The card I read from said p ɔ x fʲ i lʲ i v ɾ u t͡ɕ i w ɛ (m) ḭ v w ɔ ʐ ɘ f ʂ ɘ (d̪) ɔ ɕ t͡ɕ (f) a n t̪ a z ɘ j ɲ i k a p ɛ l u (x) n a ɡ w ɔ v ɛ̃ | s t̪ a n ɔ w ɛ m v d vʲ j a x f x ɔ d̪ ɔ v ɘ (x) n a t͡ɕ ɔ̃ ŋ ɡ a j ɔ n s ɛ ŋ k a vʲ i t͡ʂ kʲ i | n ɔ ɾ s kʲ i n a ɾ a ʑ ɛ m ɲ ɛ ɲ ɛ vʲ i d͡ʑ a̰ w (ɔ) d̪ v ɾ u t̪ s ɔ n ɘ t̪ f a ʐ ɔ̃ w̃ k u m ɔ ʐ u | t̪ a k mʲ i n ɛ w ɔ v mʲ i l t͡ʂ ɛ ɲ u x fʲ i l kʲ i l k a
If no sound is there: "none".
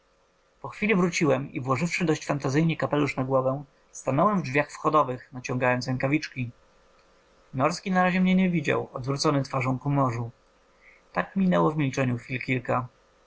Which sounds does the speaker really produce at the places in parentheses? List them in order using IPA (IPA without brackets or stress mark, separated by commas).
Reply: m, d̪, f, ʂ, x, ɔ